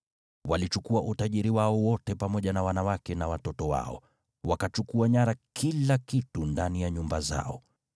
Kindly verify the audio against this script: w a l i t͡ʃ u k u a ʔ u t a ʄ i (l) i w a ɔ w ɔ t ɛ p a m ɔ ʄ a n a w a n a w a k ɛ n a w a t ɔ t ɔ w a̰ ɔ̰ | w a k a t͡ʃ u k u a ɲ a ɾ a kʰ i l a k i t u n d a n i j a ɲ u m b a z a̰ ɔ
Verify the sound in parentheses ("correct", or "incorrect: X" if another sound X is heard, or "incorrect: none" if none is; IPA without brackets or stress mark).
incorrect: ɾ